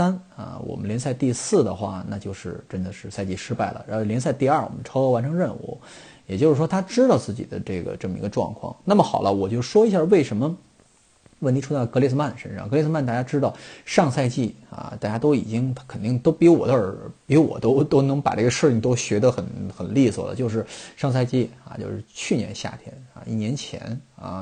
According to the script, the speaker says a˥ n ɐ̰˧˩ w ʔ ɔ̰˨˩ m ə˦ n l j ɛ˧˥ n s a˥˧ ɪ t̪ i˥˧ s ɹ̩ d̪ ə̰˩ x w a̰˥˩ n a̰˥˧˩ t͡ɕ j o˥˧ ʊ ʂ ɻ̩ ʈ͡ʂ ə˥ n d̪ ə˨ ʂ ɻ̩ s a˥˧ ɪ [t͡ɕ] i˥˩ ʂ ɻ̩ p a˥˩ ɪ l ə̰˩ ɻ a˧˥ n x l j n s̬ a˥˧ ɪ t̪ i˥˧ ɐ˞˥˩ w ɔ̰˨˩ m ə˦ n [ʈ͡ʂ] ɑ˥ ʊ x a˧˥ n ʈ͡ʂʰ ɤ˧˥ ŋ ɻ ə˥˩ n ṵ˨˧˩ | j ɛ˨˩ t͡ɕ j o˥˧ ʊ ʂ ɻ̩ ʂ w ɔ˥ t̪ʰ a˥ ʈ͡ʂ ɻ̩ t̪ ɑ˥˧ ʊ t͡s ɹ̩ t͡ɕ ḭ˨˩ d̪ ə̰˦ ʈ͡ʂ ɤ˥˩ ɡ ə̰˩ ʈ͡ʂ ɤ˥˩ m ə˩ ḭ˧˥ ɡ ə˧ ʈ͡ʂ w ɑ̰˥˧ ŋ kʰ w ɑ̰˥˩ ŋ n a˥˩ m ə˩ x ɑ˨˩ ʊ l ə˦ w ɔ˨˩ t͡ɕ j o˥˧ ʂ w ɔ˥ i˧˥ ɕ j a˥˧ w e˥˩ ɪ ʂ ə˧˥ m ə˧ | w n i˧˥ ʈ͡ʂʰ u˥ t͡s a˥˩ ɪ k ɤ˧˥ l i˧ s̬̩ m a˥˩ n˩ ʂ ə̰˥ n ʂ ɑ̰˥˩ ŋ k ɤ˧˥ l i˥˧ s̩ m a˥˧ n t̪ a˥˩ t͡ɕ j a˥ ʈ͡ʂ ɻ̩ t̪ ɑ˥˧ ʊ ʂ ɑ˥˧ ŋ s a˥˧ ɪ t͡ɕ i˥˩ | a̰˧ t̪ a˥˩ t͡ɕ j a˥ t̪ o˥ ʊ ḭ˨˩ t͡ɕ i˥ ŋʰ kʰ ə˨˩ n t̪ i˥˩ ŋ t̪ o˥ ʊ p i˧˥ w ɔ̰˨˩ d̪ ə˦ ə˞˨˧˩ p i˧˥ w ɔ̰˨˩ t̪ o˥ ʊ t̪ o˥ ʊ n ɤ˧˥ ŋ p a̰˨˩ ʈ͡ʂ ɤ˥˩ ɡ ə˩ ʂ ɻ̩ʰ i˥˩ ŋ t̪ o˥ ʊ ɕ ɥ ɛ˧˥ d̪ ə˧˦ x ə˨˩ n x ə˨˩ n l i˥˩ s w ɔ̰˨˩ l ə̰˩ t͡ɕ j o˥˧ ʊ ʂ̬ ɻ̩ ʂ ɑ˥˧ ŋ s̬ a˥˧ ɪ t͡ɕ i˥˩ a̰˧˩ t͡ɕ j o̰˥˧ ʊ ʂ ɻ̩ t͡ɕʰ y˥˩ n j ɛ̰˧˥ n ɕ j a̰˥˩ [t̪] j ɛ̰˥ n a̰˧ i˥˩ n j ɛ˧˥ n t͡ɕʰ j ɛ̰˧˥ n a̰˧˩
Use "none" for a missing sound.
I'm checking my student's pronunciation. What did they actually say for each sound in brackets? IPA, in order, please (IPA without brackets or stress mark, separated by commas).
t͡ɕ, ʈ͡ʂʰ, t̪ʰ